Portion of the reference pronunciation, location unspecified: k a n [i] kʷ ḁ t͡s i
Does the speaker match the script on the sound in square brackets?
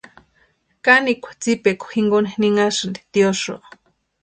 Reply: yes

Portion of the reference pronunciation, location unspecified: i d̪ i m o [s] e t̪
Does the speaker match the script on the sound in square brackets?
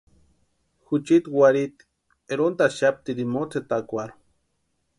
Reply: no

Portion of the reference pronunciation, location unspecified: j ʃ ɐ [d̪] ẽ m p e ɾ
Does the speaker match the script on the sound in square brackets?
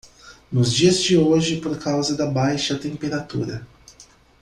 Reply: no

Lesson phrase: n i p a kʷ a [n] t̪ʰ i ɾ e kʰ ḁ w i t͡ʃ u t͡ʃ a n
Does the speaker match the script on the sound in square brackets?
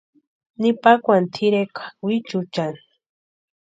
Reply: yes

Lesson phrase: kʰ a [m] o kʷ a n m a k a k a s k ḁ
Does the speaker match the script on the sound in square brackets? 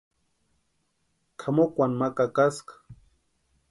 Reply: yes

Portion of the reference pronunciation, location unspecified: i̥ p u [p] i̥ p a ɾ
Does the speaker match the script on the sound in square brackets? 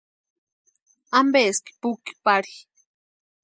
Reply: no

